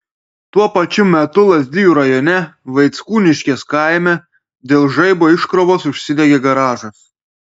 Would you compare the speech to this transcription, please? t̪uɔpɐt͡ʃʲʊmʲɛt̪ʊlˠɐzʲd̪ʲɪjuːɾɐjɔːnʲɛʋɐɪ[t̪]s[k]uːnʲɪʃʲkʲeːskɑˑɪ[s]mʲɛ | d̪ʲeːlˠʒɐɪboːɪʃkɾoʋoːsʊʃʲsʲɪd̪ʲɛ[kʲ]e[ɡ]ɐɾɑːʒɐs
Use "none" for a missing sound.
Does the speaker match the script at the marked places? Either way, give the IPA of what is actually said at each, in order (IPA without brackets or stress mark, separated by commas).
t̪, k, none, ɡʲ, ɡ